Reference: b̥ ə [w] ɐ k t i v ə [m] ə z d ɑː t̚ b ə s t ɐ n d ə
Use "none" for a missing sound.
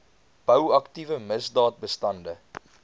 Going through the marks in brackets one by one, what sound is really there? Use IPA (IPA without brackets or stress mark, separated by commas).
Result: w, m